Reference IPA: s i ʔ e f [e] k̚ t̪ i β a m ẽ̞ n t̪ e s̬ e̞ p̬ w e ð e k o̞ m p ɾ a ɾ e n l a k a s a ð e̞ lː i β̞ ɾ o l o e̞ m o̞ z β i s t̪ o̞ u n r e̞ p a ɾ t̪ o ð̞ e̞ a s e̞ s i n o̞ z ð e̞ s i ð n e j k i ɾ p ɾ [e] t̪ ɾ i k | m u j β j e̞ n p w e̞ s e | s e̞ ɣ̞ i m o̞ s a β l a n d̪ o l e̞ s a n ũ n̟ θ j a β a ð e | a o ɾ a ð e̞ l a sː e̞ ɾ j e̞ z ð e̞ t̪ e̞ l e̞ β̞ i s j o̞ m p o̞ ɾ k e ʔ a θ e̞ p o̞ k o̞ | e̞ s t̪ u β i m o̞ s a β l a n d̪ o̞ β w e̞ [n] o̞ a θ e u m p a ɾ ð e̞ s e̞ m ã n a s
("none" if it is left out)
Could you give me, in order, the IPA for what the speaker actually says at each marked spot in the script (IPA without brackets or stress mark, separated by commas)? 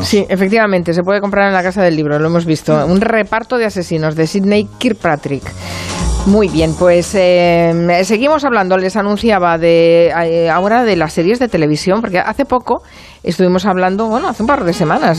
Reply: e, a, n